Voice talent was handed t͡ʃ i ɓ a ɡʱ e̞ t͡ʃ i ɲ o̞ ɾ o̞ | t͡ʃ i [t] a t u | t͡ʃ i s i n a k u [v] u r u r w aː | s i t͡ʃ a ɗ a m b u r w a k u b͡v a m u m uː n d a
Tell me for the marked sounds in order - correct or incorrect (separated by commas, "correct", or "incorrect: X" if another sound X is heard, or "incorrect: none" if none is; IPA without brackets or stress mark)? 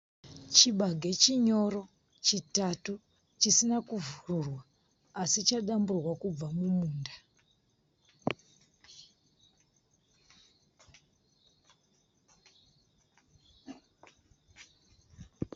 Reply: correct, correct